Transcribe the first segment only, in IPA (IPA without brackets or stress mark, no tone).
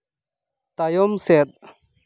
t̪